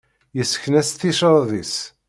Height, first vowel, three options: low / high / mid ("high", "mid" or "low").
mid